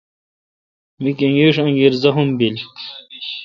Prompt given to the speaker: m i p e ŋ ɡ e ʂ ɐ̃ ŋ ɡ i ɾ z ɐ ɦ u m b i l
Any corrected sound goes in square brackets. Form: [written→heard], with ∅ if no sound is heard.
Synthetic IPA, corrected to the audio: m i [p→k] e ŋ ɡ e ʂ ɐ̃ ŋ ɡ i ɾ z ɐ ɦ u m b i l